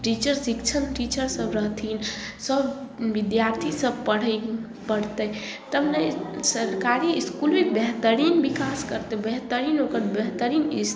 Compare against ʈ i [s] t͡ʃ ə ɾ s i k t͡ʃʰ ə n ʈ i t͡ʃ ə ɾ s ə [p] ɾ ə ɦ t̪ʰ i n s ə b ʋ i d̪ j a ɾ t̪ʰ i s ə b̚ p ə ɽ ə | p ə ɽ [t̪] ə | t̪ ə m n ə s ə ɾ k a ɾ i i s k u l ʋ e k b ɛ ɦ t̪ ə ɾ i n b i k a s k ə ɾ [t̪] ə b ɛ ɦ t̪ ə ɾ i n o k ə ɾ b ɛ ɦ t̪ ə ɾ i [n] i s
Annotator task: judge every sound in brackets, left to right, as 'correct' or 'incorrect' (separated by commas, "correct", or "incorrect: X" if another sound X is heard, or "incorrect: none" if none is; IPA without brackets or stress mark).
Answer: incorrect: none, incorrect: b, correct, correct, correct